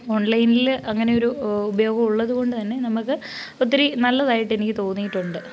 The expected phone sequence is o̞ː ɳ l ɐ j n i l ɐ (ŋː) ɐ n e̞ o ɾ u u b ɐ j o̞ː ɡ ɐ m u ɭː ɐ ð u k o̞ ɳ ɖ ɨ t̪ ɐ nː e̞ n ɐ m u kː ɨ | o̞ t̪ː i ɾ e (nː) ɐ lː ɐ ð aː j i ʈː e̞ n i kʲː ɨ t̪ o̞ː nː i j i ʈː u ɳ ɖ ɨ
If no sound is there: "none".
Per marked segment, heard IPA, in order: ŋː, n

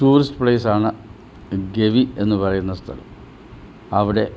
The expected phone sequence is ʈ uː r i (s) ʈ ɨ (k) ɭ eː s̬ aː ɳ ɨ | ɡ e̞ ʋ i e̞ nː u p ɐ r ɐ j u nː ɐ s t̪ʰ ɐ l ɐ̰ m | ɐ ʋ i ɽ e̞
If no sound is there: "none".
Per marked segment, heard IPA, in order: s, p

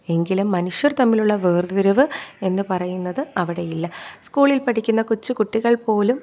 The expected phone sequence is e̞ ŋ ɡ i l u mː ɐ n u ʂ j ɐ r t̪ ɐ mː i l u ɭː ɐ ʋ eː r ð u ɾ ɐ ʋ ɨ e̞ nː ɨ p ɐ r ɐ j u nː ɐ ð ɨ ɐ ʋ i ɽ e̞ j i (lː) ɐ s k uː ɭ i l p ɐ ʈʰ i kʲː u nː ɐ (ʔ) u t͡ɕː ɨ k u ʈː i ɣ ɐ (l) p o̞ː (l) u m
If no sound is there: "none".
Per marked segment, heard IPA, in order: lː, k, ɭ, l

